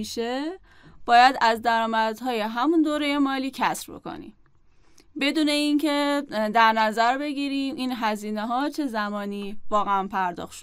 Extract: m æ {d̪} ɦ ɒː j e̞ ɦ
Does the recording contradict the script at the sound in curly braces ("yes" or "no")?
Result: no